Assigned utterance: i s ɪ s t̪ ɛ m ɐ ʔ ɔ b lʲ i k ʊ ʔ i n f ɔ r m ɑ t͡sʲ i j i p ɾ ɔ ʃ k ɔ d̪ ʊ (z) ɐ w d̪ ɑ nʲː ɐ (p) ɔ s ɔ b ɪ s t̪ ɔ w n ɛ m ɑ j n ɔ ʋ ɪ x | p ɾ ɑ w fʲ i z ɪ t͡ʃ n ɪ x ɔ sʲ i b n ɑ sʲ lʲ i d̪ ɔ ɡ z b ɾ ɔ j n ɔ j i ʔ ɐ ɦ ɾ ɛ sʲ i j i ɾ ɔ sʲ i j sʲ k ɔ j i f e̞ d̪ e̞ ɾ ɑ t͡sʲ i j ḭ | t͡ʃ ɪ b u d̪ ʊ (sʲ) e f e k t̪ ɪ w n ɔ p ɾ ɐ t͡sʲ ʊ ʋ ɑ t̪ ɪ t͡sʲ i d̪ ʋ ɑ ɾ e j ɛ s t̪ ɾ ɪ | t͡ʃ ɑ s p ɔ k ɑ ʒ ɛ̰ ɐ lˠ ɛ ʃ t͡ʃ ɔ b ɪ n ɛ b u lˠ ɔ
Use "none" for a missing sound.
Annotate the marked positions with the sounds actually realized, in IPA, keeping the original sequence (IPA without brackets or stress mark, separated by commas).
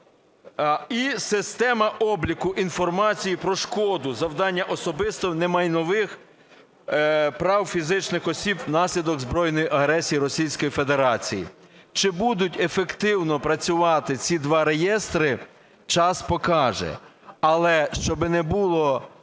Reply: z, ʔ, tʲ